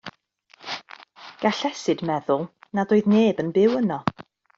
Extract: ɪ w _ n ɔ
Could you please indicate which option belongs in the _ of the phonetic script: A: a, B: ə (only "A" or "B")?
B